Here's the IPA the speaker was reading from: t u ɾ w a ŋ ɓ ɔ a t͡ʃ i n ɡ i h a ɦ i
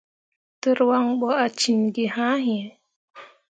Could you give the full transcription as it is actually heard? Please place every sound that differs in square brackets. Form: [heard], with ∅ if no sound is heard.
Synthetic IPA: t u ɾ w a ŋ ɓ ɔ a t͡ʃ i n ɡ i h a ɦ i